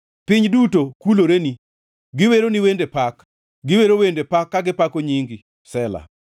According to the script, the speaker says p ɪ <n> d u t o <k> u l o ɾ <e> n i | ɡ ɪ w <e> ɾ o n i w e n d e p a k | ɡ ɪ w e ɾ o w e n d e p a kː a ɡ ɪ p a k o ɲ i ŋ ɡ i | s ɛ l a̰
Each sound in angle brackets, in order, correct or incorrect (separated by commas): incorrect, correct, correct, correct